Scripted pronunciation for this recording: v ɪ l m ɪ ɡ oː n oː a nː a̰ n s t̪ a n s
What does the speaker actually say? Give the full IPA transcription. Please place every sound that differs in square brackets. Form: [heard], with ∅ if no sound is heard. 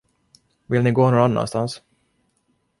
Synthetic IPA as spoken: v ɪ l [n] ɪ ɡ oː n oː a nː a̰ n s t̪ a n s